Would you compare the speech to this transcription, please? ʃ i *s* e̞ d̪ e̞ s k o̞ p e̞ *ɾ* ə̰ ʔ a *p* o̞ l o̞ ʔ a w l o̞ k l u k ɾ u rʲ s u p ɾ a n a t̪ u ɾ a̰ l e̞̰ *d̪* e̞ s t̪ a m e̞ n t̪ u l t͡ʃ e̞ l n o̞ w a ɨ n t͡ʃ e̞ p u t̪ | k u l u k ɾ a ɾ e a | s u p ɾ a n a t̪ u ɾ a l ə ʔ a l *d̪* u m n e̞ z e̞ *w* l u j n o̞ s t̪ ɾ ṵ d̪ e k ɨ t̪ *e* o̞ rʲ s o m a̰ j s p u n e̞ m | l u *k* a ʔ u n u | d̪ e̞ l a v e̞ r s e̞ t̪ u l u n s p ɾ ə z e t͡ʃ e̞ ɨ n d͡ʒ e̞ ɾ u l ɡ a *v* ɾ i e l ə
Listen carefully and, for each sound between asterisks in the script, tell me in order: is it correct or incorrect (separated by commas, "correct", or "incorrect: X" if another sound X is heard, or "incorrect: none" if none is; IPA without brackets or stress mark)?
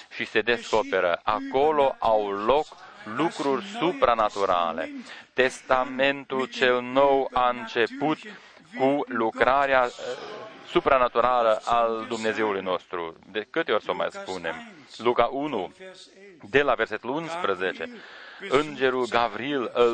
correct, correct, incorrect: k, incorrect: t̪, correct, incorrect: u, correct, correct, correct